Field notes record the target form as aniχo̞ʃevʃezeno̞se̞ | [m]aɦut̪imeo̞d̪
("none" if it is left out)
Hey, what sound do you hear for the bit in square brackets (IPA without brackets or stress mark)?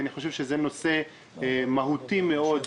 m